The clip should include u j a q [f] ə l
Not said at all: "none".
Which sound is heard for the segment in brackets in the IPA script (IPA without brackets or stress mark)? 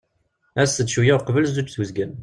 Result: v